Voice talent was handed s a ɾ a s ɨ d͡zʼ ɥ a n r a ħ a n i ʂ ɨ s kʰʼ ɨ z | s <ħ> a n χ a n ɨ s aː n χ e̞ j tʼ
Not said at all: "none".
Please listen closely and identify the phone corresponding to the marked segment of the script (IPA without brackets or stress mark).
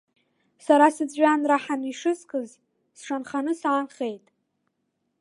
ʂ